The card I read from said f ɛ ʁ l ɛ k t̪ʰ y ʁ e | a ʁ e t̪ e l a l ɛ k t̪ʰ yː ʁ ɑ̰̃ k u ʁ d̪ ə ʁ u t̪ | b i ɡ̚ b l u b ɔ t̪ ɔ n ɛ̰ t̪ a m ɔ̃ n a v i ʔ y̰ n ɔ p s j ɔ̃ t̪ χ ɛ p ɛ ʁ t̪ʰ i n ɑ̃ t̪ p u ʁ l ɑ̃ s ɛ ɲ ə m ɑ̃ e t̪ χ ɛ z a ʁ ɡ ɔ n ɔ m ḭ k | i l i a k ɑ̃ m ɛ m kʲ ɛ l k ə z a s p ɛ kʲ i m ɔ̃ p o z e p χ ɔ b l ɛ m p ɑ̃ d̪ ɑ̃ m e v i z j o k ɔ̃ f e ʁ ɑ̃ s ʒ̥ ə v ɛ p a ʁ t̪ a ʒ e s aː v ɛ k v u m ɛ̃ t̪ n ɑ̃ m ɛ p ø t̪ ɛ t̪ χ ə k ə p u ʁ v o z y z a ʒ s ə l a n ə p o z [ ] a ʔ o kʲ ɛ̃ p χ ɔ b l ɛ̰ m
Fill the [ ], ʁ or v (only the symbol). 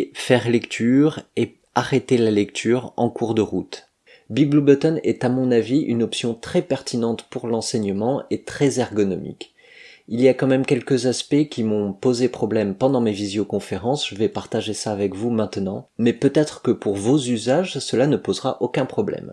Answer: ʁ